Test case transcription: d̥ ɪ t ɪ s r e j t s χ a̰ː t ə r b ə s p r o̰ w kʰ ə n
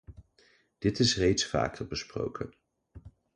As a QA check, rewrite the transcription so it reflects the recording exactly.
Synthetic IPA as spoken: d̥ ɪ t ɪ s r e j t s f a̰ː k ə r b ə s p r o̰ w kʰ ə n